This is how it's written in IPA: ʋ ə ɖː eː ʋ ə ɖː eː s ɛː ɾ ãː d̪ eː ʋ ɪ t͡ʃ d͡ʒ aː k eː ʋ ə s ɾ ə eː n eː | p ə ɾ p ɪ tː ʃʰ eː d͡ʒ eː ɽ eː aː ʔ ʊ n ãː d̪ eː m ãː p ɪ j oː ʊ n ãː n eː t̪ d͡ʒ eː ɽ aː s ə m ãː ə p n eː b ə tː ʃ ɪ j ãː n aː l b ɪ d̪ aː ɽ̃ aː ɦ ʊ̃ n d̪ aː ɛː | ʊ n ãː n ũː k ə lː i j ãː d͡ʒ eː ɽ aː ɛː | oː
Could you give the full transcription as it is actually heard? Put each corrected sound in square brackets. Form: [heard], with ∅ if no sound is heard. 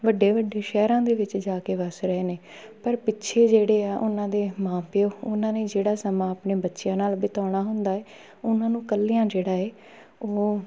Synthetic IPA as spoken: ʋ ə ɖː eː ʋ ə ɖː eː [ʃ] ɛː ɾ ãː d̪ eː ʋ ɪ t͡ʃ d͡ʒ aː k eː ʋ ə s ɾ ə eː n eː | p ə ɾ p ɪ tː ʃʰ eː d͡ʒ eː ɽ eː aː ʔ ʊ n ãː d̪ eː m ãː p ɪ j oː ʊ n ãː n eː [∅] d͡ʒ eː ɽ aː s ə m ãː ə p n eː b ə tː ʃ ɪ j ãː n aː l b ɪ [t̪] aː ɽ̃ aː ɦ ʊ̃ n d̪ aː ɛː | ʊ n ãː n ũː k ə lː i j ãː d͡ʒ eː ɽ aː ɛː | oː